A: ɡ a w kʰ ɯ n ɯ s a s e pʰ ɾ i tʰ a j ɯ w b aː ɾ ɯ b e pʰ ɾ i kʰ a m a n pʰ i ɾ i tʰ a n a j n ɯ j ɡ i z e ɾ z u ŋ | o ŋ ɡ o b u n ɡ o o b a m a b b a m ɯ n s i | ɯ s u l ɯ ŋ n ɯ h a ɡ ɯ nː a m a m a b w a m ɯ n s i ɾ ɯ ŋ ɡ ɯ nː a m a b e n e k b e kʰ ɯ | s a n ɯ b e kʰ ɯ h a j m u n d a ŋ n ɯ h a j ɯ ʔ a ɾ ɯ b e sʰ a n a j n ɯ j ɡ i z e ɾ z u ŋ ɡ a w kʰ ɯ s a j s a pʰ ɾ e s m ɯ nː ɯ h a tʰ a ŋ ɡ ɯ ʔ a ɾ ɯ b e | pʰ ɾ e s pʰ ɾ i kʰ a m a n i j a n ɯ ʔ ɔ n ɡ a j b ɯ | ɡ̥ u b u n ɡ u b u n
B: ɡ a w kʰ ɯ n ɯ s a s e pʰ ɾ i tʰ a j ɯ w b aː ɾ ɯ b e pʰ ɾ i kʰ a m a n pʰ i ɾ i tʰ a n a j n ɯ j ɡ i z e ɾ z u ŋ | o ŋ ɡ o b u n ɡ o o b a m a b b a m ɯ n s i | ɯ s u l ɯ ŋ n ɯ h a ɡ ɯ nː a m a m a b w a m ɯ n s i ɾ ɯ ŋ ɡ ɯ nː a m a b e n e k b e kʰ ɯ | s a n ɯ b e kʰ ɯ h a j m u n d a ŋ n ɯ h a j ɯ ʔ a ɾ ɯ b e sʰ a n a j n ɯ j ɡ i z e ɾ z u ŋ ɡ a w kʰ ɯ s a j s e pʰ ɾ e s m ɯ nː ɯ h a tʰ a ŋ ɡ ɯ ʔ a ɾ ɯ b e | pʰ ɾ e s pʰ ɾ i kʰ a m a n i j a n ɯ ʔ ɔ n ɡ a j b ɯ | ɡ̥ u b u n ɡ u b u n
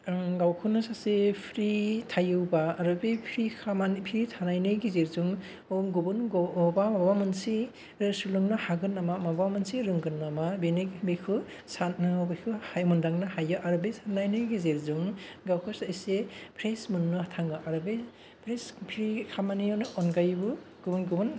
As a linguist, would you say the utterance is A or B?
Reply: B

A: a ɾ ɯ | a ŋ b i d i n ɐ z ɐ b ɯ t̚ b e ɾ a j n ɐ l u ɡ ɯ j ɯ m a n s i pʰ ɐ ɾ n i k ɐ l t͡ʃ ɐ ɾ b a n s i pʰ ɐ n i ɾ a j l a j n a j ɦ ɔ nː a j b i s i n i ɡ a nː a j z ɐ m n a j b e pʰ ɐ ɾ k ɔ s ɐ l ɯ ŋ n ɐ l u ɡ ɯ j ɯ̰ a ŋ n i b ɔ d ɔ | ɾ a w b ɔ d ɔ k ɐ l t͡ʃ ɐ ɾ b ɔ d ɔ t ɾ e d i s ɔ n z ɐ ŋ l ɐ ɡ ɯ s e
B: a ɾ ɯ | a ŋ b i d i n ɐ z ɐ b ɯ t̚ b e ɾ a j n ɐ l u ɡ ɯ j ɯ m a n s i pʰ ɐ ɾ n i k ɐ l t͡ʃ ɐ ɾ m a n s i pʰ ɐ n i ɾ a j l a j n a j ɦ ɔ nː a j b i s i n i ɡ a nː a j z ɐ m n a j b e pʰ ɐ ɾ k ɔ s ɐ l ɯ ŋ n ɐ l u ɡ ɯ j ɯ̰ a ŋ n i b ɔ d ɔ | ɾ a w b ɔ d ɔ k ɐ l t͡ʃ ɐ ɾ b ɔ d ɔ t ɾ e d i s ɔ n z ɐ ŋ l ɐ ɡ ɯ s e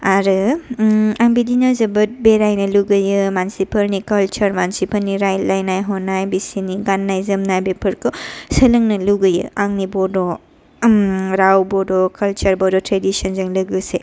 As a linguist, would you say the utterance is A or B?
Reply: B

